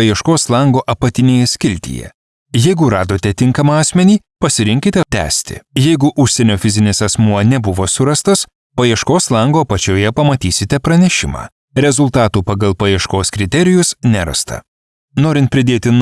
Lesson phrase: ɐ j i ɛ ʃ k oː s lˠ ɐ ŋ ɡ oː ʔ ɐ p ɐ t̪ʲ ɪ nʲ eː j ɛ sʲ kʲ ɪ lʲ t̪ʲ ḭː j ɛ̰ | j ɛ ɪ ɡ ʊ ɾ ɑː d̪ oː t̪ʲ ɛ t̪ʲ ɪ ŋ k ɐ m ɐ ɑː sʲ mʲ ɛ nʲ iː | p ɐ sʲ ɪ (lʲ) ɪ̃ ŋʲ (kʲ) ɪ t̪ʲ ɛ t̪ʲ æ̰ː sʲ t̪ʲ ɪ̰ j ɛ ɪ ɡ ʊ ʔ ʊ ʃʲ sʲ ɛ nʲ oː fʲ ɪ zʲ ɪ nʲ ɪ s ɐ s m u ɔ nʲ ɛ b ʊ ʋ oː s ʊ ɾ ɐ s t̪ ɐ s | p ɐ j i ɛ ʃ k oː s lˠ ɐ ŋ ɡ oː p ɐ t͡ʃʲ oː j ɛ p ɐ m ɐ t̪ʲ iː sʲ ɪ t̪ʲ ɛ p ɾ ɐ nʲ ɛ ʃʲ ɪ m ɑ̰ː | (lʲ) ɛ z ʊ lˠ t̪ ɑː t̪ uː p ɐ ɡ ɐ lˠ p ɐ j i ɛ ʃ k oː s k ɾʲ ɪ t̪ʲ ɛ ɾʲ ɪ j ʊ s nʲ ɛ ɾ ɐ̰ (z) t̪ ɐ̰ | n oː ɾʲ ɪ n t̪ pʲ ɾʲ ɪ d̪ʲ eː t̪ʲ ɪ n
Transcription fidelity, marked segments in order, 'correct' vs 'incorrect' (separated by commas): incorrect, correct, incorrect, incorrect